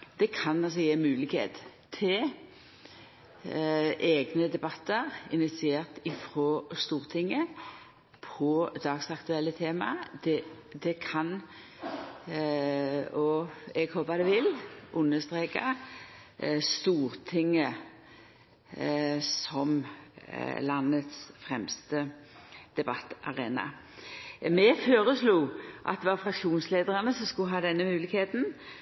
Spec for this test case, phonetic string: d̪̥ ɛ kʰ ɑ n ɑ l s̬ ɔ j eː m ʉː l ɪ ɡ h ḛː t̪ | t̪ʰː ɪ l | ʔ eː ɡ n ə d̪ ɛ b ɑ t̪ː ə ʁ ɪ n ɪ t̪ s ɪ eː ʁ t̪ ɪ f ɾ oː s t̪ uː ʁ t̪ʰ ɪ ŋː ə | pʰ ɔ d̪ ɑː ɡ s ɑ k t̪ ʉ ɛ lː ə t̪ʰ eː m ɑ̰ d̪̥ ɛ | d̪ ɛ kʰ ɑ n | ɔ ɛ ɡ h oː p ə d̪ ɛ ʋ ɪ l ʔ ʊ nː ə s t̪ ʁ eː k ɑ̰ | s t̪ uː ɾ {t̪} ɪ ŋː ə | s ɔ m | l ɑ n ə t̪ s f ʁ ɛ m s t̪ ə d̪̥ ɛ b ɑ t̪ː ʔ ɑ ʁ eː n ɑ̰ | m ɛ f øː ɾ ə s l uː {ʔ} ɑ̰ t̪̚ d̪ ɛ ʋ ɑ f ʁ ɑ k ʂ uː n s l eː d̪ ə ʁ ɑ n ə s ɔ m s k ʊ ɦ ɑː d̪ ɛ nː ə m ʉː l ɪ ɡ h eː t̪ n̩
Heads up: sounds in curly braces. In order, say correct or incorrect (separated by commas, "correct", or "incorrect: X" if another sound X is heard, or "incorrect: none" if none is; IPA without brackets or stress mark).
incorrect: t̪ʰ, correct